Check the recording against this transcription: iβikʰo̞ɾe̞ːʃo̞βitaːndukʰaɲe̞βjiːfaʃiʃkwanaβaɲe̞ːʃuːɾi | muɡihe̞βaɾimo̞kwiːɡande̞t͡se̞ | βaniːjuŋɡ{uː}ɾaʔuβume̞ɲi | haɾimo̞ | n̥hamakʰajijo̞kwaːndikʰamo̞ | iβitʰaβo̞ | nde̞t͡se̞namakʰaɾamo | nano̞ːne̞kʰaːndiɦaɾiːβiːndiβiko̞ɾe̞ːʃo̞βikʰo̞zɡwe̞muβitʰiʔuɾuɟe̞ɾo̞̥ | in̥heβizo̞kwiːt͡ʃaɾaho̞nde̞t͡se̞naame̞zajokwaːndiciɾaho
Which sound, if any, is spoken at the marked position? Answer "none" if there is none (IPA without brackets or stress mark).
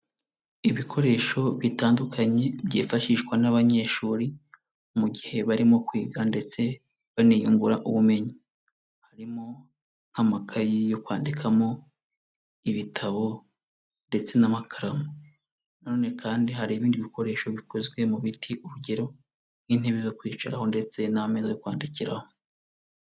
u